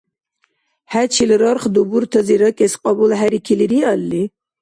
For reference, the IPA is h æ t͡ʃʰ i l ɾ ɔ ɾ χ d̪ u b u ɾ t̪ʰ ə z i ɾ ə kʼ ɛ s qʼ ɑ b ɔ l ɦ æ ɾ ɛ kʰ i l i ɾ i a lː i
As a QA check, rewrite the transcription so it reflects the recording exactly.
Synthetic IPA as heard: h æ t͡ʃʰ i l ɾ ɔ ɾ χ d̪ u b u ɾ t̪ʰ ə z i ɾ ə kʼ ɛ s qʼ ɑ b u l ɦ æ ɾ i kʰ i l i ɾ i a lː i